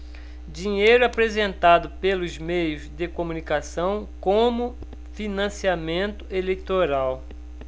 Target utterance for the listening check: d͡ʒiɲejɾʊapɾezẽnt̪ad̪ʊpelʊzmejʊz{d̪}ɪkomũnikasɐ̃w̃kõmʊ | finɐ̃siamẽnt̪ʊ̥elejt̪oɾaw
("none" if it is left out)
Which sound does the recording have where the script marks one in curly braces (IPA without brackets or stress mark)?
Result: d̪